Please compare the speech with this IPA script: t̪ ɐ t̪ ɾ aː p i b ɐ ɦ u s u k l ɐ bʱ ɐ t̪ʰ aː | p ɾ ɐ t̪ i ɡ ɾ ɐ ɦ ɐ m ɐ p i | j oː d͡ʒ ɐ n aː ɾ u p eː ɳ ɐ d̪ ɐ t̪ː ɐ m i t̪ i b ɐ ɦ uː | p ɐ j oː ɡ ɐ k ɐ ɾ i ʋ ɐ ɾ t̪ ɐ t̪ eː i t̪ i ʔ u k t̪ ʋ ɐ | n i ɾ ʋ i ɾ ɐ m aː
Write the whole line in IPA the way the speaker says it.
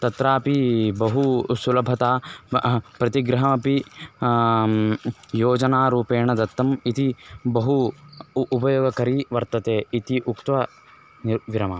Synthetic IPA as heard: t̪ ɐ t̪ ɾ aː p i b ɐ ɦ u s u l ɐ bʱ ɐ t̪ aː | p ɾ ɐ t̪ i ɡ ɾ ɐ ɦ ɐ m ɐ p i | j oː d͡ʒ ɐ n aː ɾ uː p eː ɳ ɐ d̪ ɐ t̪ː ɐ m i t̪ i b ɐ ɦ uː | p ɐ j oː ɡ ɐ k ɐ ɾ i ʋ ɐ ɾ t̪ ɐ t̪ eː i t̪ i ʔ u k t̪ ʋ ɐ | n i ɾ ʋ i ɾ ɐ m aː